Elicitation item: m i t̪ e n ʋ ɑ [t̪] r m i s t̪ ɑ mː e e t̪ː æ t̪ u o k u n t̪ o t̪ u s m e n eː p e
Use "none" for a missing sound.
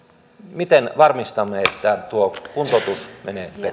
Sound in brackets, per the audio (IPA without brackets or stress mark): none